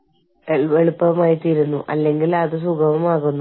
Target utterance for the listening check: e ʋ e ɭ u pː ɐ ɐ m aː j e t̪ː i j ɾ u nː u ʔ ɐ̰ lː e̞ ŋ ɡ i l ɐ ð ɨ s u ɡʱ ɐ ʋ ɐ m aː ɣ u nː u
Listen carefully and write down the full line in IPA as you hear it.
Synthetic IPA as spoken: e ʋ e ɭ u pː ɐ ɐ m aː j i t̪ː i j ɾ u nː u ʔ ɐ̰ lː e̞ ŋ ɡ i l ɐ ð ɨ s u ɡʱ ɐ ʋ ɐ m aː ɣ u nː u